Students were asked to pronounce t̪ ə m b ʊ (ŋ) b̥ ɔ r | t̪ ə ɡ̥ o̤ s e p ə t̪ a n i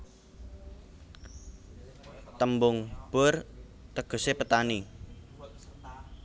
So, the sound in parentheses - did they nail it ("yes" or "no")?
yes